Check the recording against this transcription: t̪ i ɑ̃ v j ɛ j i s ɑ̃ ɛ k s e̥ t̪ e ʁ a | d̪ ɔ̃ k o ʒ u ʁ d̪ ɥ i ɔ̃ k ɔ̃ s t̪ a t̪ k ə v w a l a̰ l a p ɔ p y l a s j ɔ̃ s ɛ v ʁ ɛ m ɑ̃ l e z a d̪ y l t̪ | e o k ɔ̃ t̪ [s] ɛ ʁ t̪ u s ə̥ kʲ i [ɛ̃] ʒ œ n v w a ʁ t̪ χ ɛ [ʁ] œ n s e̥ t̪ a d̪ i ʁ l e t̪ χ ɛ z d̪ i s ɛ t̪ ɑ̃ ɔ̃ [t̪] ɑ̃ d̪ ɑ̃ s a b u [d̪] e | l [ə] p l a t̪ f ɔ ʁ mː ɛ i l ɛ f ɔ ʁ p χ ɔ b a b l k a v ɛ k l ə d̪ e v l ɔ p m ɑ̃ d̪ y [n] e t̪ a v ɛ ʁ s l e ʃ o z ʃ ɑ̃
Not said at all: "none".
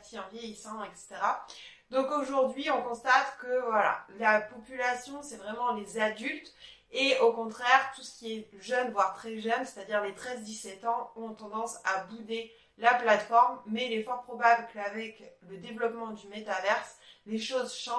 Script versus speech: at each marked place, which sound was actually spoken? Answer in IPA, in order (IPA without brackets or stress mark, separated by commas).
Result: χ, ɛ, ʒ, t̪, d̪, a, m